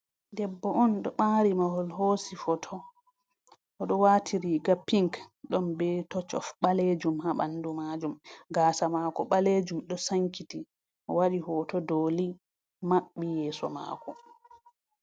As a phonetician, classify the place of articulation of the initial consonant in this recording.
alveolar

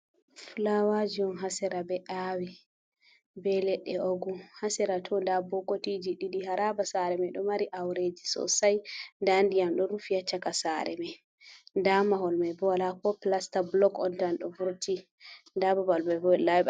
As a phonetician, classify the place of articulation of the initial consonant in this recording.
labial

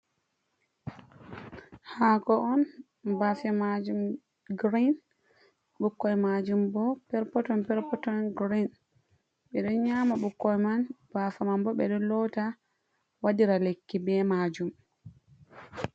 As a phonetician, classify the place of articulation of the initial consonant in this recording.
glottal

